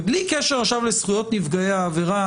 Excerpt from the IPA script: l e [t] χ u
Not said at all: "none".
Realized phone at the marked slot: s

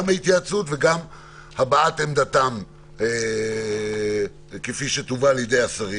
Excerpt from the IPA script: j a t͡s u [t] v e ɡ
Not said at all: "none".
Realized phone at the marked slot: t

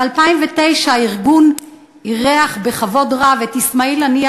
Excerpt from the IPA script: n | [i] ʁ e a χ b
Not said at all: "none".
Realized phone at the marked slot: i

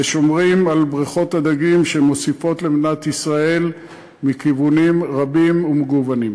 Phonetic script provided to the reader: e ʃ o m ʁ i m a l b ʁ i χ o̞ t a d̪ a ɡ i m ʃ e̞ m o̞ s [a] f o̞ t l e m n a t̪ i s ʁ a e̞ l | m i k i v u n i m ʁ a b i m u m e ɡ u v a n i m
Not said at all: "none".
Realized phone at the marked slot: i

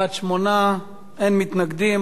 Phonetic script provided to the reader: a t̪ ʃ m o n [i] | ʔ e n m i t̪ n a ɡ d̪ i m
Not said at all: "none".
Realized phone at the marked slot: a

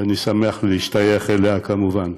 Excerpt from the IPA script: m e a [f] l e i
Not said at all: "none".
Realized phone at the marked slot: χ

